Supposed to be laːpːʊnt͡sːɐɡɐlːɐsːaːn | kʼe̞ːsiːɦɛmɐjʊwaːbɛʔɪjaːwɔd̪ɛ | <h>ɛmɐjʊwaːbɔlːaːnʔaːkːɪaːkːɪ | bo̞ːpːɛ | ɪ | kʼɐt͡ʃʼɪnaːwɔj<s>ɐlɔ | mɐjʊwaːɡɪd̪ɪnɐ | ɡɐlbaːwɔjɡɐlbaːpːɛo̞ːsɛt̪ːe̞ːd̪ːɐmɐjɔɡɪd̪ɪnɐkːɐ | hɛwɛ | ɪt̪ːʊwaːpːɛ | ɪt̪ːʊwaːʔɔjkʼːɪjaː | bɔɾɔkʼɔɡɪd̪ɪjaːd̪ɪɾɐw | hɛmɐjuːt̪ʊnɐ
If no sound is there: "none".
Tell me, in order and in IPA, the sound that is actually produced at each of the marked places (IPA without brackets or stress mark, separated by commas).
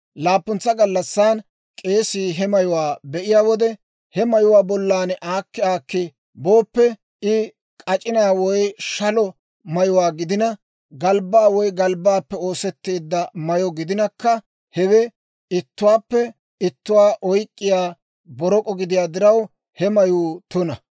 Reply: h, ʃ